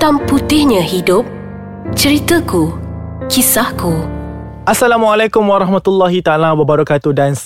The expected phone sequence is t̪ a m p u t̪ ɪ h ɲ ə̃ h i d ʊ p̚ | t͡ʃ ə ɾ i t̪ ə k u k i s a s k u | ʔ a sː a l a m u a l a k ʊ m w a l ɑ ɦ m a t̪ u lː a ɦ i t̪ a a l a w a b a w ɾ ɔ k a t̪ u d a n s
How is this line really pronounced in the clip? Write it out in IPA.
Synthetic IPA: t̪ a m p u t̪ ɪ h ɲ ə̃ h i d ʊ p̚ | t͡ʃ ə ɾ i t̪ ə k u k i s a h k u | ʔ a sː a l a m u a l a k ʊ m w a ɾ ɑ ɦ m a t̪ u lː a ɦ i t̪ a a l a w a b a ɾ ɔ k a t̪ u d a n s